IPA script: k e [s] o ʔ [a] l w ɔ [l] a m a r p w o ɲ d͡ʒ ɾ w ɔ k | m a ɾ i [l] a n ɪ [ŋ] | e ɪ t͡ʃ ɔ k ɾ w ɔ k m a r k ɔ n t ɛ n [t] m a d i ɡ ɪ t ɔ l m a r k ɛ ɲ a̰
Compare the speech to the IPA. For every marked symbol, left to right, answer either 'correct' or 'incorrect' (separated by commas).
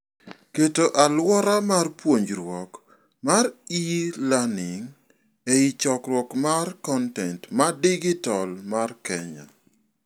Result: incorrect, correct, incorrect, correct, correct, correct